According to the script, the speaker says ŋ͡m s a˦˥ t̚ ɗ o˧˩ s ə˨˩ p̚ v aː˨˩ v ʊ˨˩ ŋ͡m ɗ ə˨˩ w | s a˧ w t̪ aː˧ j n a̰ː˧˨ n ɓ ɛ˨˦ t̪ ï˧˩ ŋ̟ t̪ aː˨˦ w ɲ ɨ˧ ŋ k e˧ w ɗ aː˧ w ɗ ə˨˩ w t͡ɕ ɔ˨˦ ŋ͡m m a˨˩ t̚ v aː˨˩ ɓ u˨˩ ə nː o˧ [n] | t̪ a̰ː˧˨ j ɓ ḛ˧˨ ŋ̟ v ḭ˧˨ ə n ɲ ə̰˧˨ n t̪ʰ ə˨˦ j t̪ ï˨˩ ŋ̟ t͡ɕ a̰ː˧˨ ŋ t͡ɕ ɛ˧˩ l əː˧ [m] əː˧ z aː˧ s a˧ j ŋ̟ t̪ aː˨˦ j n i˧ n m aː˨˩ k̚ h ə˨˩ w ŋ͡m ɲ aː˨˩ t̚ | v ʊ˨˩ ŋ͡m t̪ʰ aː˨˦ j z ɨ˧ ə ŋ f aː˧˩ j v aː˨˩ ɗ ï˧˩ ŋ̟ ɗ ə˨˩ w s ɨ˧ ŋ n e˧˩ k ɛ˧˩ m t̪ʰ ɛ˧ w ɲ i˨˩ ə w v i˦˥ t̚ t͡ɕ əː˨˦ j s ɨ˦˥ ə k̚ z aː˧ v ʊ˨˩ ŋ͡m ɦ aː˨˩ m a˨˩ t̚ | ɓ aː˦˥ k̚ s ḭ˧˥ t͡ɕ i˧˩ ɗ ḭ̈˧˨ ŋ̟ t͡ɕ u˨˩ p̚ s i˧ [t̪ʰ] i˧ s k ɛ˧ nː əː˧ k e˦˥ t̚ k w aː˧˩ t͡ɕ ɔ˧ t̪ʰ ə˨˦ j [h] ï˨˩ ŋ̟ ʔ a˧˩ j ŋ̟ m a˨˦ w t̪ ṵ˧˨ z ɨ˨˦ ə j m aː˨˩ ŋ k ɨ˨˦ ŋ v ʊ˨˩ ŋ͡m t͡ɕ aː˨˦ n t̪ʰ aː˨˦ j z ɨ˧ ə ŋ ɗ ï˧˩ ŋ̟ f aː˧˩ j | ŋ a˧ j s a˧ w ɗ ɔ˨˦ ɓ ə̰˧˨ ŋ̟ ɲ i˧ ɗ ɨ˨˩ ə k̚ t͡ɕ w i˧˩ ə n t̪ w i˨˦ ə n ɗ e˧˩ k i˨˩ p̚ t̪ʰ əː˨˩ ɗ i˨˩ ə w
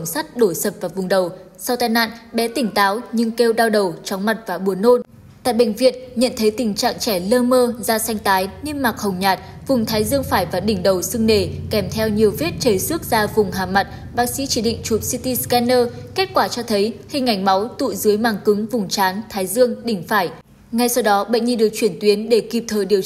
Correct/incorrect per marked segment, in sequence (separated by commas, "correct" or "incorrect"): correct, correct, incorrect, correct